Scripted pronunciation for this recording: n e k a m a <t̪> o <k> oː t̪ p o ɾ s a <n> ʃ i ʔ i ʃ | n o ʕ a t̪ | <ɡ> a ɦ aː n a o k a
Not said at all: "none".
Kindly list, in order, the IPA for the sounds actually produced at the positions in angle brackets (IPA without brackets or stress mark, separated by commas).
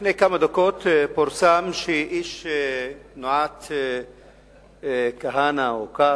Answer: d̪, k, m, k